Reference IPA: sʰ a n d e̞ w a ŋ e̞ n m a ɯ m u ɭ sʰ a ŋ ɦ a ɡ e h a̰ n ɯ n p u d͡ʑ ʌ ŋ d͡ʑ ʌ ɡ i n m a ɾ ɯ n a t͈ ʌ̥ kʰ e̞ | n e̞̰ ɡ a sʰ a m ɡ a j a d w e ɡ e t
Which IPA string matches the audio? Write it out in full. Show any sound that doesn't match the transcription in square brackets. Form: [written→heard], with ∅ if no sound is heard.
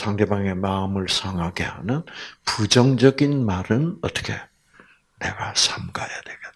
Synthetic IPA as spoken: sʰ a [n→ŋ] d e̞ [w→b] a ŋ e̞ [n→∅] m a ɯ m [u→ɯ] ɭ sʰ a ŋ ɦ a ɡ e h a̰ n ɯ n p u d͡ʑ ʌ ŋ d͡ʑ ʌ ɡ i n m a ɾ ɯ n [a→ʌ] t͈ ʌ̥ kʰ e̞ | n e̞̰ ɡ a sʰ a m ɡ a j a d w e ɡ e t